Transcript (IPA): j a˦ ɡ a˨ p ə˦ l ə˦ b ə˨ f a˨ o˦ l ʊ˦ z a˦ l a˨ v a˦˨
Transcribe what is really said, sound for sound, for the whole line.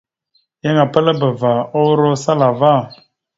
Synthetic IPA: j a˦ ŋ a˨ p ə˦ l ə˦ b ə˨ v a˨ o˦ ɾ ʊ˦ s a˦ l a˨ v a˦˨